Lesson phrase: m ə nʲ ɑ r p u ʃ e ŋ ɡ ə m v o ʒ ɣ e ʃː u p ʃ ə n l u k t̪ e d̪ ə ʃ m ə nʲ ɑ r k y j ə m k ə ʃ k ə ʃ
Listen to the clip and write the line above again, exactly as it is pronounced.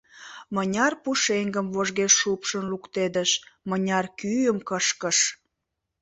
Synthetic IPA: m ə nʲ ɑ r p u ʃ e ŋ ɡ ə m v o ʒ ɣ e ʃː u p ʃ ə n l u k t̪ e d̪ ə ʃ m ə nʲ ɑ r k y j ə m k ə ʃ k ə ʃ